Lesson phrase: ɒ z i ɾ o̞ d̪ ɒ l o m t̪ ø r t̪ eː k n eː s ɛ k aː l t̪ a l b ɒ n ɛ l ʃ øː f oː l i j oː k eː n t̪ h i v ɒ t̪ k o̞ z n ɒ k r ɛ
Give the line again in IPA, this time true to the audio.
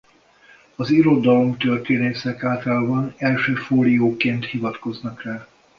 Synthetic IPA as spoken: ɒ z i ɾ o̞ d̪ ɒ l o m t̪ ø r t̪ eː n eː s ɛ k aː l t̪ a l b ɒ n ɛ l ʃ øː f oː l i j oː k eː n t̪ h i v ɒ t̪ k o̞ z n ɒ k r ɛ